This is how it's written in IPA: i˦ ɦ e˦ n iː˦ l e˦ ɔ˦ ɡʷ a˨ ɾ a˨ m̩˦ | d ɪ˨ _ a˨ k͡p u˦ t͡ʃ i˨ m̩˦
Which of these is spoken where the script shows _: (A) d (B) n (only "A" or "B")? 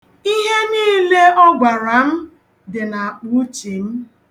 B